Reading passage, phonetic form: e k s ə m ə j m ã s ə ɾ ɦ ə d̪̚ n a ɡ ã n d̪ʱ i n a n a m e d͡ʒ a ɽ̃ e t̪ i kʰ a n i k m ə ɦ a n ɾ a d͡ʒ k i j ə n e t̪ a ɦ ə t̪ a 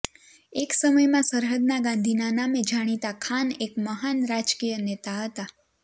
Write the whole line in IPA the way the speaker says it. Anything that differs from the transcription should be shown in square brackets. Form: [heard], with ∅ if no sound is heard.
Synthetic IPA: e k s ə m ə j m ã s ə ɾ ɦ ə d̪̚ n a ɡ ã n d̪ʱ i n a n a m e d͡ʒ a ɽ̃ [i] t̪ [a] kʰ a n [e] k m ə ɦ a n ɾ a d͡ʒ k i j ə n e t̪ a ɦ ə t̪ a